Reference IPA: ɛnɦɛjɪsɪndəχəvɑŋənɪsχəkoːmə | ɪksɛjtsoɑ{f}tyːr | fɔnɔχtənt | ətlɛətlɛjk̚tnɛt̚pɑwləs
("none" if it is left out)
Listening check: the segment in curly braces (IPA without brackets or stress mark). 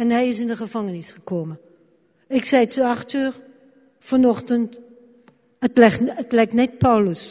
χ